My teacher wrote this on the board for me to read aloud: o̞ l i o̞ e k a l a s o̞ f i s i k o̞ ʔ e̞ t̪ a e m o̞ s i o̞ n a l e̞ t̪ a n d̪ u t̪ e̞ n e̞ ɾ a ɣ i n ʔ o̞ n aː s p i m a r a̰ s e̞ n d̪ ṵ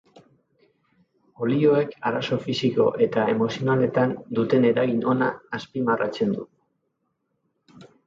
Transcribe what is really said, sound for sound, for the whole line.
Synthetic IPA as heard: o̞ l i o̞ e k a ɾ a s o̞ f i s i k o̞ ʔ e̞ t̪ a e m o̞ s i o̞ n a l e̞ t̪ a n d̪ u t̪ e̞ n e̞ ɾ a ɣ i n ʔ o̞ n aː s p i m a r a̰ t͡s e̞ n d̪ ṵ